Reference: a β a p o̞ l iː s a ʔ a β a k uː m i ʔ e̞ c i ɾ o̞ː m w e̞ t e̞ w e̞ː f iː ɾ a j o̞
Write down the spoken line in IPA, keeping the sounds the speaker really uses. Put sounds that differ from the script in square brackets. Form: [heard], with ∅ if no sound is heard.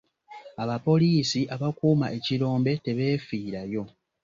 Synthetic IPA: a β a p o̞ l iː s [i] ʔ a β a k uː m [a] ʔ e̞ c i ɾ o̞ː m [b] e̞ t e̞ [β] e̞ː f iː ɾ a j o̞

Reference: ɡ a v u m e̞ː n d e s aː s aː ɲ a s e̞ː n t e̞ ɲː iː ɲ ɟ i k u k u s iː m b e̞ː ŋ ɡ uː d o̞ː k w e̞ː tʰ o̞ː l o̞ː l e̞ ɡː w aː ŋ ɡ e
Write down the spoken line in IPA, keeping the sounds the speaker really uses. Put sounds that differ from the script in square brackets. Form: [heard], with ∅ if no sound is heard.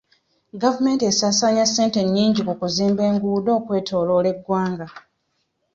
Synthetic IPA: ɡ a v u m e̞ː n [t] e s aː s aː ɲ a s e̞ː n t e̞ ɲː iː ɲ ɟ i k u k u [z] iː m b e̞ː ŋ ɡ uː d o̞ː k w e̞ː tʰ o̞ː l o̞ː l e̞ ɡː w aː ŋ ɡ [a]

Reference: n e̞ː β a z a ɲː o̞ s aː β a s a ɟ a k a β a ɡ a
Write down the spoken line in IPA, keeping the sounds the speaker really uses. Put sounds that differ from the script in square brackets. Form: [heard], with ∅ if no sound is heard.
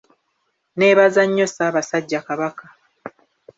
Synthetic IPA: n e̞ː β a z a ɲː o̞ s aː β a s a [ɟː] a k a β a [k] a

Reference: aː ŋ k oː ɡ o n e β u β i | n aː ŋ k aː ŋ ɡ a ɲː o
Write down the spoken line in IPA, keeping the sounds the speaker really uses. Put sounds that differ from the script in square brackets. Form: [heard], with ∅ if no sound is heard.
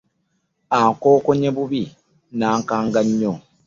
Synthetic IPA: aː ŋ k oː [k] o [ɲ] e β u β i | n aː ŋ k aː ŋ ɡ a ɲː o

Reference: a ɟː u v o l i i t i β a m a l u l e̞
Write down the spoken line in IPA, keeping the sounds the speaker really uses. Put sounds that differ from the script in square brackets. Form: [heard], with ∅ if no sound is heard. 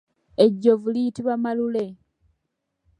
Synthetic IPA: [e] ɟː [o] v [u] l i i t i β a m a l u l e̞

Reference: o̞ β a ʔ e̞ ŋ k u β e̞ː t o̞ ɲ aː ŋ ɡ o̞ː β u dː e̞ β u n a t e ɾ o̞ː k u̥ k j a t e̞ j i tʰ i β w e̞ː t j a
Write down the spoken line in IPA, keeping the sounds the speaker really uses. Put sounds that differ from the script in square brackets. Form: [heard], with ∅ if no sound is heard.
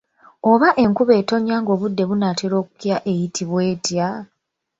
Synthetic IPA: o̞ β a ʔ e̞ ŋ k u β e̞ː t o̞ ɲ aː ŋ ɡ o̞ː β u dː e̞ β u n a t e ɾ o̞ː k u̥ k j a [ʔ] e̞ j i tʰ i β w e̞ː t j a

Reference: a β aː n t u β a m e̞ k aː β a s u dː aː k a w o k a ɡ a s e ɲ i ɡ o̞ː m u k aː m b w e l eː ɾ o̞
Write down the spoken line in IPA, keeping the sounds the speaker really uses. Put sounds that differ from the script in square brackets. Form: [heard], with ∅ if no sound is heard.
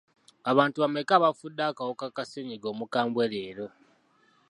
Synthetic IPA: a β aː n t u β a m e̞ k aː β a [f] u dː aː k a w o k a [k] a s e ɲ i ɡ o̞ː m u k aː m b w e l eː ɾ o̞

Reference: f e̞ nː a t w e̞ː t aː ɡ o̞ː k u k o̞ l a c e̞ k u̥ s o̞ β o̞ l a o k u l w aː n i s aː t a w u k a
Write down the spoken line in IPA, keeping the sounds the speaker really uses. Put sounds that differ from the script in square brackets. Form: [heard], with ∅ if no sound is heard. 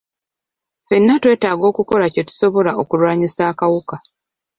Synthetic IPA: f e̞ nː a t w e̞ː t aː ɡ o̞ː k u k o̞ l a c e̞ [t] u̥ s o̞ β o̞ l a o k u l w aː [ɲ] i s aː [k] a w u k a

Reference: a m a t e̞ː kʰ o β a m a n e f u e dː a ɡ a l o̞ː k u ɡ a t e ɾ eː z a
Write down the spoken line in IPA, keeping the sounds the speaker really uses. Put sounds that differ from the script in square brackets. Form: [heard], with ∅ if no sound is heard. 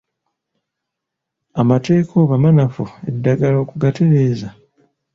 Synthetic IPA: a m a t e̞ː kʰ o β a m a n [a] f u e dː a ɡ a l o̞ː k u ɡ a t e ɾ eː z a

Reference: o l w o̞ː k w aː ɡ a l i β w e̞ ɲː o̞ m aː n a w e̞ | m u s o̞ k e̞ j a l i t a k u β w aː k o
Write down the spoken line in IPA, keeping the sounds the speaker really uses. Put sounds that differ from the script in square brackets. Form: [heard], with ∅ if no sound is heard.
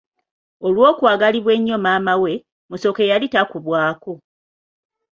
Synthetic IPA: o l w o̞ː k w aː ɡ a l i β w e̞ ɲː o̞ m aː [m] a w e̞ | m u s o̞ k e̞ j a l i t a k u β w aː k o

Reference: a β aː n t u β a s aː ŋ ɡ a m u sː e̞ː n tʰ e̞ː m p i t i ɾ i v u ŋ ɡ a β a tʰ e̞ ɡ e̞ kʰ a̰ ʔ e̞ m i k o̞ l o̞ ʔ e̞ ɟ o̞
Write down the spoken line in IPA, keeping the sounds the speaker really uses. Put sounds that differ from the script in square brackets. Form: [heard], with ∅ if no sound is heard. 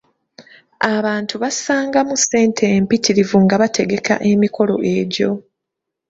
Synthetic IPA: a β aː n t u β a s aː ŋ ɡ a m u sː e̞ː n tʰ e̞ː m p i t i ɾ i v u ŋ ɡ a β a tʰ e̞ ɡ e̞ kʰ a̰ ʔ e̞ m i k o̞ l o̞ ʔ e̞ ɟ o̞

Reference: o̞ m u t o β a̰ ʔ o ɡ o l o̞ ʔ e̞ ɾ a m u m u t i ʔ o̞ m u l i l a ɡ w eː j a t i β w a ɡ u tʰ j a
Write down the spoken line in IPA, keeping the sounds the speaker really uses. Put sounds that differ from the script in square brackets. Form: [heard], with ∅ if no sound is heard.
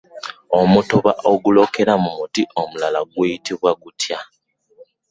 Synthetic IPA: o̞ m u t o β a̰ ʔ o ɡ [u] l o̞ [k] e̞ ɾ a m u m u t i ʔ o̞ m u l [a] l a ɡ w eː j [i] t i β w a ɡ u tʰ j a

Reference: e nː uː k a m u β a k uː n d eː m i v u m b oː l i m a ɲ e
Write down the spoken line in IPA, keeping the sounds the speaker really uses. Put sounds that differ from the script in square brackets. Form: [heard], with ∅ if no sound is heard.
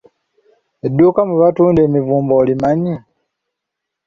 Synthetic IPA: e [dː] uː k a m u β a [t] uː n d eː m i v [uː] m b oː l i m a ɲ [i]

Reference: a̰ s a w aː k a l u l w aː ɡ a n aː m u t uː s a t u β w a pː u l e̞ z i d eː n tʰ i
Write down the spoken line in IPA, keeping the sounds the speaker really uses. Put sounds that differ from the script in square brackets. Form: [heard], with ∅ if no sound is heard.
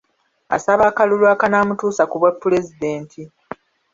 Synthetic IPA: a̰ s a [β] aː k a l u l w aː [k] a n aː m u t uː s a [k] u β w a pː u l e̞ z i d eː n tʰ i

